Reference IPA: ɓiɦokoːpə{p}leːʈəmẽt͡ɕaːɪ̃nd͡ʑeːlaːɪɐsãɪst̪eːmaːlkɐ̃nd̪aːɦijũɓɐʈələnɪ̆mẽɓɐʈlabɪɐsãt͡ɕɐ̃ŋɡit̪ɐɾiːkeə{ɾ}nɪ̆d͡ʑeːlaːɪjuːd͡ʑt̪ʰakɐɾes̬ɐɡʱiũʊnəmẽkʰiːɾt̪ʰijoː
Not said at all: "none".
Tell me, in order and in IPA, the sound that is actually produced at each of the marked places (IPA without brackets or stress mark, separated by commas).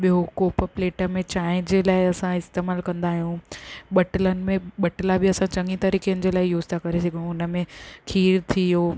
p, none